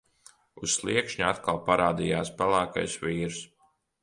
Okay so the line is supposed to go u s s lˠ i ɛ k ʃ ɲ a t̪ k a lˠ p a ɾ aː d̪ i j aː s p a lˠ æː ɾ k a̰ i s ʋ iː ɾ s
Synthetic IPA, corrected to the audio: u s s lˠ i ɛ k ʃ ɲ a t̪ k a lˠ p a ɾ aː d̪ i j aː s p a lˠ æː k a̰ j s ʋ iː ɾ s